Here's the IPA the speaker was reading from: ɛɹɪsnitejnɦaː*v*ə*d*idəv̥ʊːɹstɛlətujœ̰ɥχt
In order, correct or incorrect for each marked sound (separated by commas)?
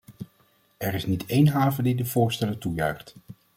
correct, correct